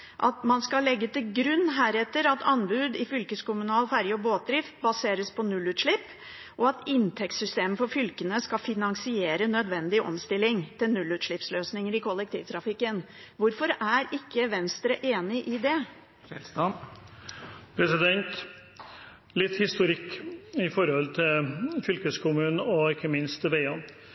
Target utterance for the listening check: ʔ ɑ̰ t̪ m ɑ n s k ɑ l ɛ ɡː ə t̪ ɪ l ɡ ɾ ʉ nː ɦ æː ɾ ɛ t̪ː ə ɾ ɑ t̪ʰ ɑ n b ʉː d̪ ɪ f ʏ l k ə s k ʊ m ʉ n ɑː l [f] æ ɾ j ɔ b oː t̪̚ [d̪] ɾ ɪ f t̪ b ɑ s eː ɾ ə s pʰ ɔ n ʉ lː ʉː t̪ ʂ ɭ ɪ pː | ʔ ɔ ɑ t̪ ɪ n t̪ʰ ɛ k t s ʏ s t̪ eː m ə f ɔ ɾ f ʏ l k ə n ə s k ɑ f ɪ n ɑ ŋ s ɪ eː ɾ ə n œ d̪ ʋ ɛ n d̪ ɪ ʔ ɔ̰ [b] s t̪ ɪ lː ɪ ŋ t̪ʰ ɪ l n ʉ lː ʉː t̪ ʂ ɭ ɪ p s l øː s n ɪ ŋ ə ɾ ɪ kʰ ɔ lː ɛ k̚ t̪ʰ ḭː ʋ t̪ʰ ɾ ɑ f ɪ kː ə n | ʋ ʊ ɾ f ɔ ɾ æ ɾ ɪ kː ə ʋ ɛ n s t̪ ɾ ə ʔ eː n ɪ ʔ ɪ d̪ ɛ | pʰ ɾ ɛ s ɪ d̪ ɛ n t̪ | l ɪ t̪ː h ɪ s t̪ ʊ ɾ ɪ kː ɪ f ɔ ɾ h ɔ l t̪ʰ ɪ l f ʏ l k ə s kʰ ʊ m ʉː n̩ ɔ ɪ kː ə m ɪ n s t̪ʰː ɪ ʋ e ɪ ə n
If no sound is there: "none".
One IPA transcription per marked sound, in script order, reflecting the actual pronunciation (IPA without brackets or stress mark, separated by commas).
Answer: f, d̪, m